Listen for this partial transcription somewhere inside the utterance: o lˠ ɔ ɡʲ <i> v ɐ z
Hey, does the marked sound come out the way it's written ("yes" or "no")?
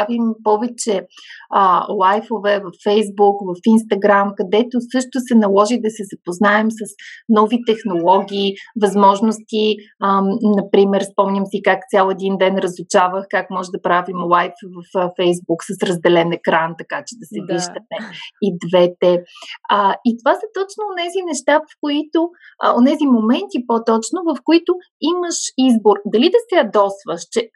no